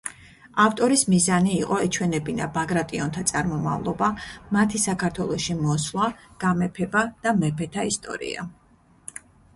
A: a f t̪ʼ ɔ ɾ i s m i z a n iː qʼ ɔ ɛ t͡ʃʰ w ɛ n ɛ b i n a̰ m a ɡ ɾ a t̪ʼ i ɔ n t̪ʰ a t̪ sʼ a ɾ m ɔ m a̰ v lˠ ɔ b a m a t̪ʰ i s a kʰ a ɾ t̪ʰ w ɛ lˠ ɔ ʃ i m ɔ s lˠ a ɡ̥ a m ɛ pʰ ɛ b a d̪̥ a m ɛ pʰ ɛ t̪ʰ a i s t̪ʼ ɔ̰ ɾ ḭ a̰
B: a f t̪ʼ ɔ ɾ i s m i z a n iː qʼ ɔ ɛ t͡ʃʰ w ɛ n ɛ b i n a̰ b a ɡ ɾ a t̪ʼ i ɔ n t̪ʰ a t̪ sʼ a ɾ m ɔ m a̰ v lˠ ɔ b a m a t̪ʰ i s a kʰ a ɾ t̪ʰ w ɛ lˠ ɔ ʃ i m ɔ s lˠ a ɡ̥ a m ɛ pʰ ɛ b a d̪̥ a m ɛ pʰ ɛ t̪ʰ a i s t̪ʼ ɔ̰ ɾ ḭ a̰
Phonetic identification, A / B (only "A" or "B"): B